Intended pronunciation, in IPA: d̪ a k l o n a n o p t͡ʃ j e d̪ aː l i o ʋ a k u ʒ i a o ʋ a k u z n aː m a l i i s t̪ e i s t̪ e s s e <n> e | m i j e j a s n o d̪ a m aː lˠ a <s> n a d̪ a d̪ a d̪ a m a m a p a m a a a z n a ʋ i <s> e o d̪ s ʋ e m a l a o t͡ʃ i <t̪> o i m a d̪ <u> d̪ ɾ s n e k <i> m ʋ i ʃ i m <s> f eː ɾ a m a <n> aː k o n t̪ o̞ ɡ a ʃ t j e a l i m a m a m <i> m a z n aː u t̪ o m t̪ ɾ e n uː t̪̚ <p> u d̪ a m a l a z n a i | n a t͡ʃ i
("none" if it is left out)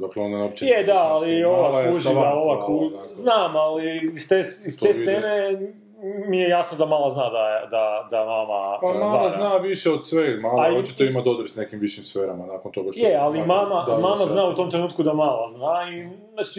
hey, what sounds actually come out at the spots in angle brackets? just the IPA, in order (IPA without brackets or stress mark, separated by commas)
n, z, ʃ, t̪, o, i, s, n, a, k